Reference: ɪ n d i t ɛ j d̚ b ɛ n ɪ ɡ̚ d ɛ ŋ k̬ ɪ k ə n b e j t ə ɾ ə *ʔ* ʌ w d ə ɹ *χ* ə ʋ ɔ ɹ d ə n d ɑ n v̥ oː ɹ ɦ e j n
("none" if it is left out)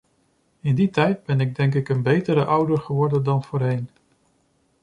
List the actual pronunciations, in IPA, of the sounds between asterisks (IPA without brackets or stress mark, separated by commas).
ʔ, χ